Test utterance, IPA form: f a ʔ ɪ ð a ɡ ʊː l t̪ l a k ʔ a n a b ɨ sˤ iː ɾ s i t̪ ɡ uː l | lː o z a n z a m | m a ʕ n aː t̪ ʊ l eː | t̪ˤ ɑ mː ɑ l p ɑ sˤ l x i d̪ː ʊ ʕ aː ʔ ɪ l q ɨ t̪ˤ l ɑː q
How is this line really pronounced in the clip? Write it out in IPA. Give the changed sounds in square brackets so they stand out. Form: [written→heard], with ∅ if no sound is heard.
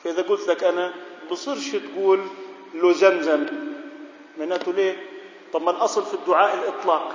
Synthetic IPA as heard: f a ʔ ɪ ð a ɡ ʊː l t̪ l a k ʔ a n a b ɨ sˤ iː ɾ [s→ʃ] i t̪ ɡ uː l | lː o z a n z a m | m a ʕ n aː t̪ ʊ l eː | t̪ˤ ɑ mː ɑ l [p→ʔ] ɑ sˤ l [x→f] i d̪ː ʊ ʕ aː ʔ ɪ l [q→ʔ] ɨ t̪ˤ l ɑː q